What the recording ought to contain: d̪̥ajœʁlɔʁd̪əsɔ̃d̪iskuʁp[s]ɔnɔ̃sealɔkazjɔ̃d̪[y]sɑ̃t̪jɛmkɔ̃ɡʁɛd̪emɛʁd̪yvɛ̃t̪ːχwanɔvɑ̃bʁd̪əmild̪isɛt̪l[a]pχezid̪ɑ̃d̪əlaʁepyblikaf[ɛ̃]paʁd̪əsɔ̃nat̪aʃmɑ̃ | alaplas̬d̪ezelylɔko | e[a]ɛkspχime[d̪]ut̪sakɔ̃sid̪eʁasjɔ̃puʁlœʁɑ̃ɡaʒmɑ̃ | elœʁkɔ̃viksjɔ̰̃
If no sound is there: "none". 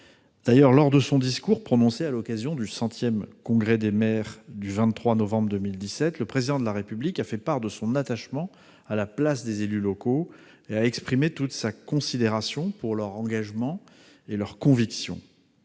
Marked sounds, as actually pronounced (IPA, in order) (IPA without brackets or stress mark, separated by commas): χ, y, ə, ɛ, a, t̪